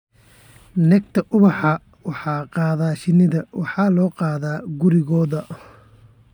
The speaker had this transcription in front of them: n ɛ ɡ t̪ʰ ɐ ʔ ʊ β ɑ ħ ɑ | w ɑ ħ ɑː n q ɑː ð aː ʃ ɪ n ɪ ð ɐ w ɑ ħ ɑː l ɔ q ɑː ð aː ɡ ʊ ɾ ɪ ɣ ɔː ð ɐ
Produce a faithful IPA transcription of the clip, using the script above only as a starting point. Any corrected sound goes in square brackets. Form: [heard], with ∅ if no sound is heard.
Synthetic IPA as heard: n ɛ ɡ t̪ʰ ɐ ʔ ʊ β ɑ ħ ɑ | w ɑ ħ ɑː [∅] q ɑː ð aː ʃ ɪ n ɪ ð ɐ w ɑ ħ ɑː l [ɔː] q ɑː ð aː ɡ ʊ ɾ ɪ ɣ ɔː ð ɐ